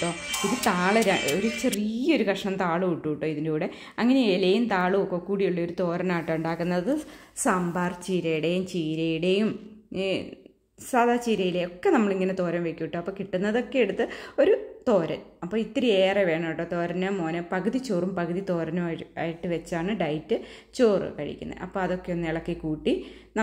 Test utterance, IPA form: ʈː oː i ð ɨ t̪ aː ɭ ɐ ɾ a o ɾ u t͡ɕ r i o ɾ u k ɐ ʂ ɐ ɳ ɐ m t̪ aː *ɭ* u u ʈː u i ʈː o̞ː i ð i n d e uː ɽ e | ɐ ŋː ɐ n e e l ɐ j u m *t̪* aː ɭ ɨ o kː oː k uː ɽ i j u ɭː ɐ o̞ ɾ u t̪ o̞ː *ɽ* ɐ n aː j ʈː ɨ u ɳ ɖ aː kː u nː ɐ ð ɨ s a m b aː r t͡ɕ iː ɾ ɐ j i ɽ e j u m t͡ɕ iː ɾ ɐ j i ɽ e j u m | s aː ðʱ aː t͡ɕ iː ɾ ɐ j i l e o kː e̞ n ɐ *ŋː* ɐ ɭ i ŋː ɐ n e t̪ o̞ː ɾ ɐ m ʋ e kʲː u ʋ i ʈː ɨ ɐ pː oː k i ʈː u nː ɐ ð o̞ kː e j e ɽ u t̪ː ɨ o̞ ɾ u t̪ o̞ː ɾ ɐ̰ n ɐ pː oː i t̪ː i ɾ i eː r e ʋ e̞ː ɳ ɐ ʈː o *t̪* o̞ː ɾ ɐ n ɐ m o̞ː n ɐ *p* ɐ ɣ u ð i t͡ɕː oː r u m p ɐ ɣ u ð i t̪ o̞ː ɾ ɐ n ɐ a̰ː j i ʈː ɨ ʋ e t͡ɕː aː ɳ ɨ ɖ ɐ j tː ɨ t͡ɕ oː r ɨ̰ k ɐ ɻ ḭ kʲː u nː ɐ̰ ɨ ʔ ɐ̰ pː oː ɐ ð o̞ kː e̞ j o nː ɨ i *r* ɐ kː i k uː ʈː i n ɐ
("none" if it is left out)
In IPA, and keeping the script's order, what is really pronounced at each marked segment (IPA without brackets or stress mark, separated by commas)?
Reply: ɭ, t̪, ɾ, mː, t̪, p, ɭ